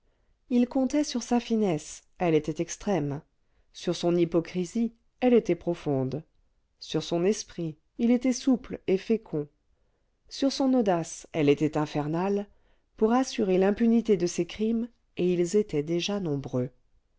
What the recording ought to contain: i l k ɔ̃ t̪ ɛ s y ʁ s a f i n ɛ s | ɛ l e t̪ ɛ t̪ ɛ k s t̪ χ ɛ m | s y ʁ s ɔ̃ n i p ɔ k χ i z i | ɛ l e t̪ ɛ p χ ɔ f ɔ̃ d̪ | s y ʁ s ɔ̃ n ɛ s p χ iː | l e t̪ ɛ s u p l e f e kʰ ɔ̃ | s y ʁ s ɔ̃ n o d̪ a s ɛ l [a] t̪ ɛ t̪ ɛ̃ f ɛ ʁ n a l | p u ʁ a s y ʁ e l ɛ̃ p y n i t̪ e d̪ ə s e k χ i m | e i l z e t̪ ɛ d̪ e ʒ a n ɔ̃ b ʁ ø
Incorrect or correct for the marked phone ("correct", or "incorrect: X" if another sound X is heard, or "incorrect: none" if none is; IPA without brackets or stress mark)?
incorrect: e